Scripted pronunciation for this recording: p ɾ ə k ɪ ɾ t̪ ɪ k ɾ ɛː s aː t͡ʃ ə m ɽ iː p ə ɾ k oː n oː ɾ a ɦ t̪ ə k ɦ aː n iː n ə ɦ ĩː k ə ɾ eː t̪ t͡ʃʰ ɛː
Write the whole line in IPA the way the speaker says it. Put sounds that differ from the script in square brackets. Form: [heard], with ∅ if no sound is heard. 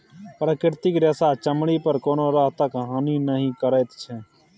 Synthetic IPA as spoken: p ɾ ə k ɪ ɾ t̪ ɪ k ɾ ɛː s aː t͡ʃ ə m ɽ iː p ə ɾ k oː n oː ɾ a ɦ t̪ ə k ɦ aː n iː n ə ɦ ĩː k ə ɾ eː t̪ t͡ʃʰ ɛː